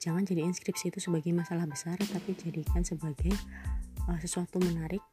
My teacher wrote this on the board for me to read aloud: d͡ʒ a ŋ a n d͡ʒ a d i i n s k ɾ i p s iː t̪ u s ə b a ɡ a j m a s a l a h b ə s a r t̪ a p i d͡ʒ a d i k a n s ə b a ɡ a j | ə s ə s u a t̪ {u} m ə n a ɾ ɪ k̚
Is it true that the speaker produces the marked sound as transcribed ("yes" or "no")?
yes